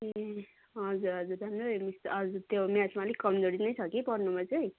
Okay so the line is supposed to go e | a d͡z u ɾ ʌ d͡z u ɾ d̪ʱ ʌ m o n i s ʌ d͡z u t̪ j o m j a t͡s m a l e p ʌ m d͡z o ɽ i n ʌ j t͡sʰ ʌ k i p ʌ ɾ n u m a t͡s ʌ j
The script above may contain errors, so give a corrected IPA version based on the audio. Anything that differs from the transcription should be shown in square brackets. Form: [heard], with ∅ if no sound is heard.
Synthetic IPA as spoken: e | [ʌ] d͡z u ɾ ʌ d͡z u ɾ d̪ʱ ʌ m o [m] i s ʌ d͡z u t̪ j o m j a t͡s m a l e [k] ʌ m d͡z o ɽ i n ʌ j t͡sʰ ʌ k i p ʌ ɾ n u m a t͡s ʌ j